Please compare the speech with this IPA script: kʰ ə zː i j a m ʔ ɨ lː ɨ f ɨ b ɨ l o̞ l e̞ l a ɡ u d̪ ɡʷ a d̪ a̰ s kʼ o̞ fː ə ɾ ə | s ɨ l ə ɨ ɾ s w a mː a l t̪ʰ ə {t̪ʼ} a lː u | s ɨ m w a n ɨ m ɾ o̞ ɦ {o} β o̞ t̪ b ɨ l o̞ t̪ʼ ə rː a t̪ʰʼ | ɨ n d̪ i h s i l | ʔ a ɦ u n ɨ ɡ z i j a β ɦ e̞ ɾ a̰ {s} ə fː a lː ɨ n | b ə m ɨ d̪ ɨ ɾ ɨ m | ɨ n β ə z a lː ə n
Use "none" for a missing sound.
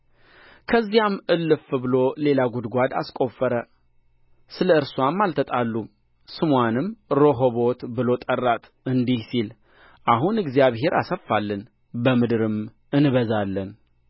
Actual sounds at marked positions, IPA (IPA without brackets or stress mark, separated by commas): t̪ʼ, o, s